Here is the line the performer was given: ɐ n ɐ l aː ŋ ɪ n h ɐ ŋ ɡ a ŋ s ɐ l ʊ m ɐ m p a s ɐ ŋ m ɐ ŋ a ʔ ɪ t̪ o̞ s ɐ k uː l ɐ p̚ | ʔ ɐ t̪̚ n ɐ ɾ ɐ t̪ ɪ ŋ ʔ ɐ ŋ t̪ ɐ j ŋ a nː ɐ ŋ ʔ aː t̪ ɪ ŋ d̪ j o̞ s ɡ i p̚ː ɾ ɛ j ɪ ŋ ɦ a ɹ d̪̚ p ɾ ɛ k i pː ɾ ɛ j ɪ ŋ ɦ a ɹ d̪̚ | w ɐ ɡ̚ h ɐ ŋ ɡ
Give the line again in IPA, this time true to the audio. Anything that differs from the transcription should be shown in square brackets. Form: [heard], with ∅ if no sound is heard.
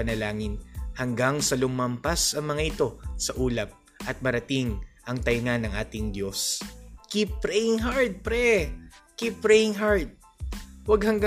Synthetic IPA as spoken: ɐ n ɐ l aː ŋ ɪ n h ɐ ŋ ɡ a ŋ s ɐ l ʊ m ɐ m p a s ɐ ŋ m ɐ ŋ a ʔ ɪ t̪ o̞ s ɐ [ʔ] uː l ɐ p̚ | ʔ ɐ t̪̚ [m] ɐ ɾ ɐ t̪ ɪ ŋ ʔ ɐ ŋ t̪ ɐ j ŋ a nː ɐ ŋ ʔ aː t̪ ɪ ŋ d̪ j o̞ s [k] i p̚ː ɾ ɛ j ɪ ŋ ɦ a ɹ d̪̚ p ɾ ɛ k i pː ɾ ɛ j ɪ ŋ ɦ a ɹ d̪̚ | w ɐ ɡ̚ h ɐ ŋ ɡ